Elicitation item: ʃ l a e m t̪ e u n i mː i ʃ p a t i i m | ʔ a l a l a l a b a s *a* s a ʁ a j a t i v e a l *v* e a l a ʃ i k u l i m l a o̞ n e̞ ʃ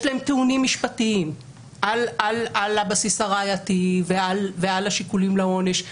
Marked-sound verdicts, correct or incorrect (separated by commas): incorrect, correct